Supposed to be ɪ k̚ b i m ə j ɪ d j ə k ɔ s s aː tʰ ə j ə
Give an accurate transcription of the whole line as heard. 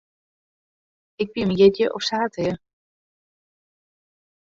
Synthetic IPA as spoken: ɪ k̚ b i m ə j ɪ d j ə ʔ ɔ f s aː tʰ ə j ə